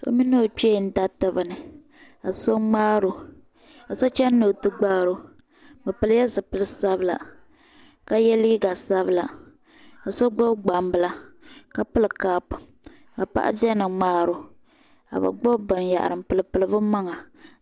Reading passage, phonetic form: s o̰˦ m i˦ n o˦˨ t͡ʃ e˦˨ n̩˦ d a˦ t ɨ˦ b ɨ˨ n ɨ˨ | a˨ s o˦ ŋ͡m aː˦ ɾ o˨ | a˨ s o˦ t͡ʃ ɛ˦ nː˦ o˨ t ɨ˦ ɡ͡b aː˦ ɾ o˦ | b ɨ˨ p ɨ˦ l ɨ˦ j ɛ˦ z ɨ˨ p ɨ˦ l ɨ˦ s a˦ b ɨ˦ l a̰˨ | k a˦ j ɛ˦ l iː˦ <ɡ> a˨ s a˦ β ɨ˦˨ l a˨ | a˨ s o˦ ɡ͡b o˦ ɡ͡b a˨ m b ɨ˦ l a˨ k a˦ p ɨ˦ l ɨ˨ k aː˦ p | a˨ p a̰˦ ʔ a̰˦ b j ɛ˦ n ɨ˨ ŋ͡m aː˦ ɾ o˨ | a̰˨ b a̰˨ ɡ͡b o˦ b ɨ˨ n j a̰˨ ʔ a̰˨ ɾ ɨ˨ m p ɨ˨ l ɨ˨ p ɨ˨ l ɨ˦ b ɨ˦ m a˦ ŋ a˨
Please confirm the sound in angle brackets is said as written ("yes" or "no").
yes